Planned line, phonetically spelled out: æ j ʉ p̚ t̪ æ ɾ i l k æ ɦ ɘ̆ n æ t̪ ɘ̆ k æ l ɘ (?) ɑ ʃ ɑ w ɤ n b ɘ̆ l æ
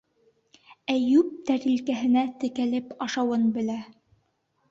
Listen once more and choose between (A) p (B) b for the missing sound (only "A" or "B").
A